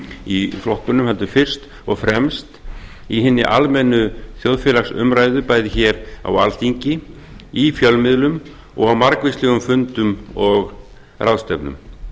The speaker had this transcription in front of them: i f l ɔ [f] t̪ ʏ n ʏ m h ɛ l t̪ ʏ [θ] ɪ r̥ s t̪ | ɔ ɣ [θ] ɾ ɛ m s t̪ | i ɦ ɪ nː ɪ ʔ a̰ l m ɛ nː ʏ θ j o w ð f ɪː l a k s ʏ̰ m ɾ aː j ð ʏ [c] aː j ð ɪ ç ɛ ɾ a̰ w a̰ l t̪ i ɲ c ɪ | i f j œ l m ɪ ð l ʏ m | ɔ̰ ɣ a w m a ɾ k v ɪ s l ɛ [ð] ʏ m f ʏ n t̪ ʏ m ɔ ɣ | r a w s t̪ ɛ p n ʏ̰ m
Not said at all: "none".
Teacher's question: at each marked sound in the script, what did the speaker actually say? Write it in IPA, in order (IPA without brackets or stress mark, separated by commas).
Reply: h, f, f, p, ɣ